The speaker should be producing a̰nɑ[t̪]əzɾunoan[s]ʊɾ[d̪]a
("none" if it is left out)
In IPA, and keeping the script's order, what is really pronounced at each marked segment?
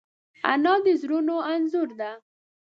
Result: d̪, z, d̪

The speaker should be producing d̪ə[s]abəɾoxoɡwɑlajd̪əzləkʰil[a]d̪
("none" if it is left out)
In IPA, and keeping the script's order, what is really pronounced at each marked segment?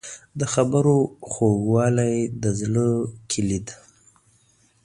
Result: x, i

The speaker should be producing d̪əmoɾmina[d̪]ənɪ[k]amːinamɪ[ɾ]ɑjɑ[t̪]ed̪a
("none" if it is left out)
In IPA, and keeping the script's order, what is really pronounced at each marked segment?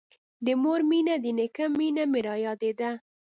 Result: d̪, k, ɾ, d̪

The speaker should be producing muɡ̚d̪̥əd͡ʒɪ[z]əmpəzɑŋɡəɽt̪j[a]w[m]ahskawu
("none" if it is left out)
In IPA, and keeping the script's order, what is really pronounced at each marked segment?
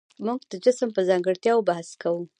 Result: s, ɑ, b

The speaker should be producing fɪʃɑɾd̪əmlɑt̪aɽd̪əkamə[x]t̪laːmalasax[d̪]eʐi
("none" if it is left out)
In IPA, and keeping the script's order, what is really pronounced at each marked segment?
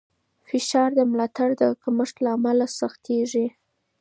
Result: ʂ, t̪

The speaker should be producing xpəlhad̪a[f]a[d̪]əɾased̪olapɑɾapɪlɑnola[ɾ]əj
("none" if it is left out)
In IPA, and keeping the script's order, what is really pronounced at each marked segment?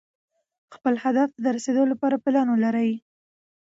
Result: f, d̪, ɾ

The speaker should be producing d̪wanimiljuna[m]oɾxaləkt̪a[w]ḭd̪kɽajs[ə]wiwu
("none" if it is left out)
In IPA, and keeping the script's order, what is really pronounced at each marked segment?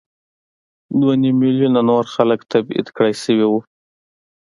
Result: n, b, ə

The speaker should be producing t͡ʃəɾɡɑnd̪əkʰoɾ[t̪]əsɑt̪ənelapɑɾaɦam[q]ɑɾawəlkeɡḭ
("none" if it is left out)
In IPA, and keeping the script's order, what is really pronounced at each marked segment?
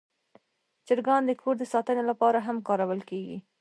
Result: d̪, k

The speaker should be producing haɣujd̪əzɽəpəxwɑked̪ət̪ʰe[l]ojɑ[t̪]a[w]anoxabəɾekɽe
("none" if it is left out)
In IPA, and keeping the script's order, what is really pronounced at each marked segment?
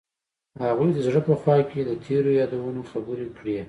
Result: ɾ, d̪, w

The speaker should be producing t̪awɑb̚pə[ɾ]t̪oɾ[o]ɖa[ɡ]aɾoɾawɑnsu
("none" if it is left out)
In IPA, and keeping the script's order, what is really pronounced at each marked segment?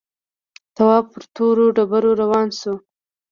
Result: ɾ, o, b

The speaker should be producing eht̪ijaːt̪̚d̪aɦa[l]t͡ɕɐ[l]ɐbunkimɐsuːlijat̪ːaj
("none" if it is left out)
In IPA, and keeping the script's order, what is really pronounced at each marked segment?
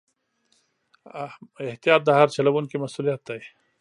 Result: ɾ, l

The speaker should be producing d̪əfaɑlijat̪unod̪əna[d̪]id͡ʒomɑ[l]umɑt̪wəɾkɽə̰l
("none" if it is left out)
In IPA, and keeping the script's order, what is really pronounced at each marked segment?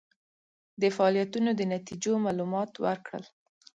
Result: t̪, l

